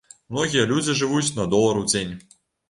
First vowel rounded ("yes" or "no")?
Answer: yes